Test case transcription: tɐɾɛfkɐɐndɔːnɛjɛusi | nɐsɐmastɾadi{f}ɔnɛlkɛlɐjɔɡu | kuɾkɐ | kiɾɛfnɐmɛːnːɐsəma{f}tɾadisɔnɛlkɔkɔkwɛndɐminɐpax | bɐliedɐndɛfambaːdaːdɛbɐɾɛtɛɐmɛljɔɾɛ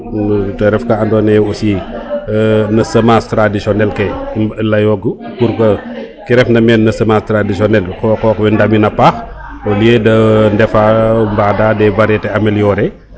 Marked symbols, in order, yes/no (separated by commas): no, no